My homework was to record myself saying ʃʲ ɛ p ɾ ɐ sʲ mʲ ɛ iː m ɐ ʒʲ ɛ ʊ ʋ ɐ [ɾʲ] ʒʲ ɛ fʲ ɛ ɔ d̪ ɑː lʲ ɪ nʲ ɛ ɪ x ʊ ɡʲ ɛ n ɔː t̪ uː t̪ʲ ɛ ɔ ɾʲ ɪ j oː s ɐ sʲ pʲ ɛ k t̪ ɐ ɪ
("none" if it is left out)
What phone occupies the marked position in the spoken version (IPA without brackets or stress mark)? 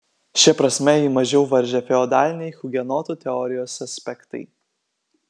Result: ɾʲ